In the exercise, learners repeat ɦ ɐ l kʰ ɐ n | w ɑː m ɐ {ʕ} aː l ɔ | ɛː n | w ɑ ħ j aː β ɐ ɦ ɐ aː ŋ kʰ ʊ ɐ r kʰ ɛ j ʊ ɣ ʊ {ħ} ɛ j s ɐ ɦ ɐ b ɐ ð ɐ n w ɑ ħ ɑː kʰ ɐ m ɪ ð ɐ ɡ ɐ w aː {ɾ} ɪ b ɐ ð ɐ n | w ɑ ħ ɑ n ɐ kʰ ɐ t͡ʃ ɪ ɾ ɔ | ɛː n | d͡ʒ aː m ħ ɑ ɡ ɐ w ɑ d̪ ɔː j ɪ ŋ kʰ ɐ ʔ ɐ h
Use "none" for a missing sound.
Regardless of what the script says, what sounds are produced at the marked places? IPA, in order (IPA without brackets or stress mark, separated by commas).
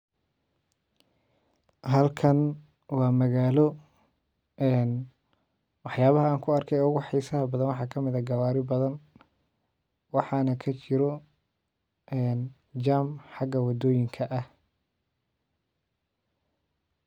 ɣ, ħ, ɾ